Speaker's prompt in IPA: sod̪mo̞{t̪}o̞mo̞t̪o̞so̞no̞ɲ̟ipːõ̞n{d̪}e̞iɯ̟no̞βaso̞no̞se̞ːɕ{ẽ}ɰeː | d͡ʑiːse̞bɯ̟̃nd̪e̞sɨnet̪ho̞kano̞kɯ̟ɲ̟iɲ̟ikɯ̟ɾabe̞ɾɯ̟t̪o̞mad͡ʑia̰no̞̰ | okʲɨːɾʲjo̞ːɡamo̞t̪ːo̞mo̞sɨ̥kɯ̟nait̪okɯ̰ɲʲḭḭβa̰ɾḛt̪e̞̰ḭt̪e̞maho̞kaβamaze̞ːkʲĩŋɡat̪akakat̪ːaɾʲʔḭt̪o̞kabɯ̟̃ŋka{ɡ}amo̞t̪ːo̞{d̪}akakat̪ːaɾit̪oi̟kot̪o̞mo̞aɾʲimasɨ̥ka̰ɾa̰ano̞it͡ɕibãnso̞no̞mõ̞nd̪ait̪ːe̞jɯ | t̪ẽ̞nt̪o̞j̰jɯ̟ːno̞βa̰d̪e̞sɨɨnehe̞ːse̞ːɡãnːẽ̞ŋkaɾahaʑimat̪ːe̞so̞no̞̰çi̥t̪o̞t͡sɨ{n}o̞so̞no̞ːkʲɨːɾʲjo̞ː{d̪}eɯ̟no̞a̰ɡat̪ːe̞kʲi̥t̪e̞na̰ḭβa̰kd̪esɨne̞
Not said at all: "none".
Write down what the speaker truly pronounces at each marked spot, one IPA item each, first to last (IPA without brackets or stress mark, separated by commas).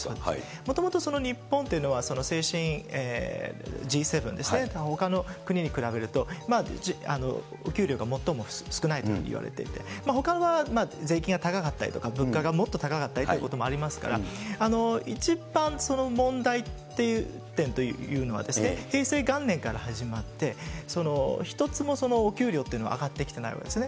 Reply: t̪, t̪, ĩ, ɡ, t̪, m, t̪